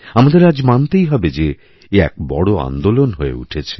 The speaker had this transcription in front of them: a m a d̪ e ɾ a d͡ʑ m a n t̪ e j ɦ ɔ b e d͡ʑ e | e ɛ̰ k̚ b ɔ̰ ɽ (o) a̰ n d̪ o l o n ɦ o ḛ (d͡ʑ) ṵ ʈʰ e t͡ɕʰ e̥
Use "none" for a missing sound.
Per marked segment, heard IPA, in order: o, none

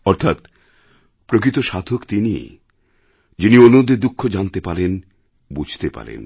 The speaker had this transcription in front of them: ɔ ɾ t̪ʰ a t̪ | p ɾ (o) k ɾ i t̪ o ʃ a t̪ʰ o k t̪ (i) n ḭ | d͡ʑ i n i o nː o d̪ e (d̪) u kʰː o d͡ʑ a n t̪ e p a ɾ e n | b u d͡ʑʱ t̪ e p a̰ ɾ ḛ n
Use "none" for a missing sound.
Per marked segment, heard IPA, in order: o, i, d̪

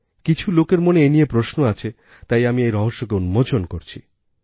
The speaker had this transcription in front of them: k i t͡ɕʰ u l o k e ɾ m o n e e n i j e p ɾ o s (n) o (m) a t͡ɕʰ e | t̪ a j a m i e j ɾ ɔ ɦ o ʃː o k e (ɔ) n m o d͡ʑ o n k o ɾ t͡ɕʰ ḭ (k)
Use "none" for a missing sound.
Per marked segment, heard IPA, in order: n, none, u, none

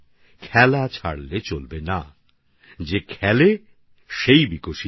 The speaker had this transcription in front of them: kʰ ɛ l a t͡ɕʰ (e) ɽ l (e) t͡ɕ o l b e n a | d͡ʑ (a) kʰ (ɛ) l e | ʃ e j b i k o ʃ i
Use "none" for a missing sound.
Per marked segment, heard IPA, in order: a, e, e, ɛ

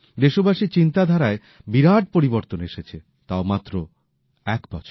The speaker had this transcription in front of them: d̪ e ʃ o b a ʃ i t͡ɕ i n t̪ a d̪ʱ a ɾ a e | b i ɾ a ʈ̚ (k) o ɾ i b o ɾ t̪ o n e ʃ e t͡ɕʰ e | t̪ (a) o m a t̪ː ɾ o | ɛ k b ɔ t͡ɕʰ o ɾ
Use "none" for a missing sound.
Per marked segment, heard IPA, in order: p, a

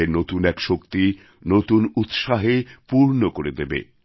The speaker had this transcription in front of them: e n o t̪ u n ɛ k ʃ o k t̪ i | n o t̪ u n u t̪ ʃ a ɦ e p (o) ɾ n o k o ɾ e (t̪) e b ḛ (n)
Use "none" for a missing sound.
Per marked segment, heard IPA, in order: u, d̪, none

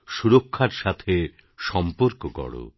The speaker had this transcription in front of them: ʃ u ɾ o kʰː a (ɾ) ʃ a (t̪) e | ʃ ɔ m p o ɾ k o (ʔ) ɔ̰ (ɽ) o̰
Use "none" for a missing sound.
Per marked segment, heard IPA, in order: ɾ, t̪ʰ, k, ɽ

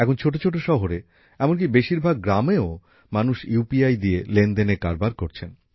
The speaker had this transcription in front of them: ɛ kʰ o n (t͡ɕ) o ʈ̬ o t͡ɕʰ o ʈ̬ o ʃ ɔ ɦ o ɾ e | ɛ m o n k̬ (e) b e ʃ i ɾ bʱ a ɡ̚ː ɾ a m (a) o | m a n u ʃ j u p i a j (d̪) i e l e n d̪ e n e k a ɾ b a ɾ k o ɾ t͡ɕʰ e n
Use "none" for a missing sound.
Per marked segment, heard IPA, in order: t͡ɕʰ, i, e, d̪

